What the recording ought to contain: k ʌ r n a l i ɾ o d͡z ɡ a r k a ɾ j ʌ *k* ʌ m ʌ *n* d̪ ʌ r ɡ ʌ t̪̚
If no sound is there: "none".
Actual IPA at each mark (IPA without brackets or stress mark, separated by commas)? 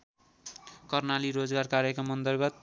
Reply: k, n